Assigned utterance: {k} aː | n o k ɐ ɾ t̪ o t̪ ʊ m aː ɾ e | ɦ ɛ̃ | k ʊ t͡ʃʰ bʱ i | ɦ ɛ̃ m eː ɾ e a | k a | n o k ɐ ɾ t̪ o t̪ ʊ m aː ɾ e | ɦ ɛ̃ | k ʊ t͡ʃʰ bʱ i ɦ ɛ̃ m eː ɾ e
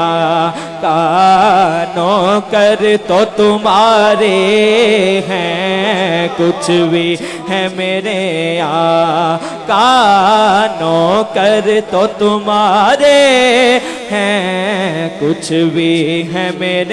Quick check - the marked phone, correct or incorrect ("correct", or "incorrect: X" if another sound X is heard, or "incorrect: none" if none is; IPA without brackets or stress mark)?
correct